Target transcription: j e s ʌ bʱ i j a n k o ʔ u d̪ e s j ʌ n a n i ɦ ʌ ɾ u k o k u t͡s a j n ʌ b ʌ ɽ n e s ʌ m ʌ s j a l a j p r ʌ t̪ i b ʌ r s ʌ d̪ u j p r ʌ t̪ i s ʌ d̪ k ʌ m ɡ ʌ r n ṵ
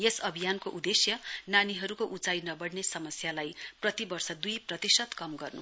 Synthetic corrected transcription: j e s ʌ bʱ i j a n k o ʔ u d̪ e s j ʌ n a n i ɦ ʌ ɾ u k o ʔ u t͡s a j n ʌ b ʌ ɽ n e s ʌ m ʌ s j a l a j p r ʌ t̪ i b ʌ r s ʌ d̪ u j p r ʌ t̪ i s ʌ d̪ k ʌ m ɡ ʌ r n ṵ

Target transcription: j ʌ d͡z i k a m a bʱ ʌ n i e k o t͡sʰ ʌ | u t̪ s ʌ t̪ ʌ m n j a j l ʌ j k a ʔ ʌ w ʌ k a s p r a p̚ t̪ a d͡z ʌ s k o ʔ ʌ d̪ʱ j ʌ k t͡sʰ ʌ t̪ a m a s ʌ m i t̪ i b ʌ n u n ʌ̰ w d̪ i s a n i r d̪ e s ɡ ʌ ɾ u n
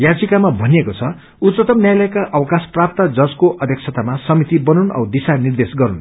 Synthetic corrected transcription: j a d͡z i k a m a bʱ ʌ n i e k o t͡sʰ ʌ | u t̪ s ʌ t̪ ʌ m n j a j l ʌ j k a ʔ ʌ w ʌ k a s p r a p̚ t̪ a d͡z ʌ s k o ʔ ʌ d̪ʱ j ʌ k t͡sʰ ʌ t̪ a m a s ʌ m i t̪ i b ʌ n u n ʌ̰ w d̪ i s a n i r d̪ e s ɡ ʌ ɾ u n

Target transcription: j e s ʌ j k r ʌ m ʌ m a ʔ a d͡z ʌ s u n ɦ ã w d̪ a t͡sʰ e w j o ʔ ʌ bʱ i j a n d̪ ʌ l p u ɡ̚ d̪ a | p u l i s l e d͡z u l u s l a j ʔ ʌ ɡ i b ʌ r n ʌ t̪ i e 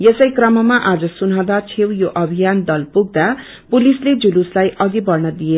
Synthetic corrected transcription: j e s ʌ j k r ʌ m ʌ m a ʔ a d͡z ʌ s u n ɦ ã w d̪ a t͡sʰ e w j o ʔ ʌ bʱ i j a n d̪ ʌ l p u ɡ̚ d̪ a | p u l i s l e d͡z u l u s l a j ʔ ʌ ɡ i b ʌ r n ʌ d̪ i e

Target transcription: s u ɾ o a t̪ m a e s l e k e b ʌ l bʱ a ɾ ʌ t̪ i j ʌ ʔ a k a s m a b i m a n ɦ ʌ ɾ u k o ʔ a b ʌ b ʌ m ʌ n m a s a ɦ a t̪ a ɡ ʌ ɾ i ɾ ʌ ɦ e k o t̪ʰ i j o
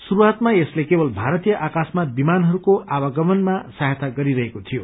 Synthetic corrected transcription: s u ɾ u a t̪ m a e s l e k e b ʌ l bʱ a ɾ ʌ t̪ i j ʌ ʔ a k a s m a b i m a n ɦ ʌ ɾ u k o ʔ a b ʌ ɡ ʌ m ʌ n m a s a ɦ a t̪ a ɡ ʌ ɾ i ɾ ʌ ɦ e k o t̪ʰ i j o

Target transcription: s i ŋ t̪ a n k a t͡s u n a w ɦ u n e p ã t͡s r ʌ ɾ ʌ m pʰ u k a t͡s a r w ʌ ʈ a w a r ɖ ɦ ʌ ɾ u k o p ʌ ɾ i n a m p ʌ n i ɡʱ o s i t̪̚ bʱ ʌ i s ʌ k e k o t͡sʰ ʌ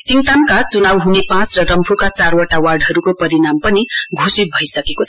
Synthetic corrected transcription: s i ŋ t̪ a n k a t͡s u n a w ɦ u n e p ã t͡s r ʌ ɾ ʌ m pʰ u k a t͡s a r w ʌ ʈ a w a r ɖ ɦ ʌ ɾ u k o p ʌ ɾ i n a m p ʌ n i ɡʱ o s i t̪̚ bʱ ʌ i s ʌ k e k o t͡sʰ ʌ

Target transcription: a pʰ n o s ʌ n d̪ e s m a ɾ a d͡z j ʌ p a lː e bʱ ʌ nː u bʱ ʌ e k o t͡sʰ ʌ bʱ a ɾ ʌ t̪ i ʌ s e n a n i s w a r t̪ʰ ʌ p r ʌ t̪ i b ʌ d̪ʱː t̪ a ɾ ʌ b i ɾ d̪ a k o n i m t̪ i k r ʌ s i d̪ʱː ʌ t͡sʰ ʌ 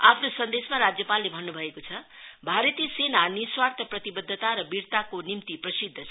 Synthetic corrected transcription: a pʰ n o s ʌ n d̪ e s m a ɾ a d͡z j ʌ p a lː e bʱ ʌ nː u bʱ ʌ e k o t͡sʰ ʌ bʱ a ɾ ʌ t̪ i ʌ s e n a n i s w a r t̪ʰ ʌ p r ʌ t̪ i b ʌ d̪ʱː t̪ a ɾ ʌ b i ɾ t̪ a k o n i m t̪ i p r ʌ s i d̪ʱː ʌ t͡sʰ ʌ

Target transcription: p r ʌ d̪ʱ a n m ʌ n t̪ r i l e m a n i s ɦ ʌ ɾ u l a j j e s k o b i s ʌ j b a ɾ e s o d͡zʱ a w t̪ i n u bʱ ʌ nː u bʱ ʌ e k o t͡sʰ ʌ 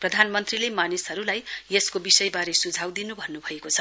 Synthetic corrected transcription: p r ʌ d̪ʱ a n m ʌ n t̪ r i l e m a n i s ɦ ʌ ɾ u l a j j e s k o b i s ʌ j b a ɾ e s u d͡zʱ a w d̪ i n u bʱ ʌ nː u bʱ ʌ e k o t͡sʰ ʌ

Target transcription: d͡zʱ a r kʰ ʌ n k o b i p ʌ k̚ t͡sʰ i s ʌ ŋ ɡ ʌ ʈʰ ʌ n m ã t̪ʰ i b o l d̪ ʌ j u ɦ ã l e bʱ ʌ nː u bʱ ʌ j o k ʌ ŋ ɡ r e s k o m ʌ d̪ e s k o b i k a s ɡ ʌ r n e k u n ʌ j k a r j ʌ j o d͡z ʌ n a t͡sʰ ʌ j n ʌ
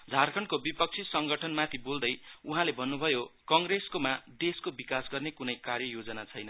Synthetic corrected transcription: d͡zʱ a r kʰ ʌ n k o b i p ʌ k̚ t͡sʰ i s ʌ ŋ ɡ ʌ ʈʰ ʌ n m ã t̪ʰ i b o l d̪ ʌ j u ɦ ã l e bʱ ʌ nː u bʱ ʌ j o k ʌ ŋ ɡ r e s k o m a d̪ e s k o b i k a s ɡ ʌ r n e k u n ʌ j k a r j ʌ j o d͡z ʌ n a t͡sʰ ʌ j n ʌ

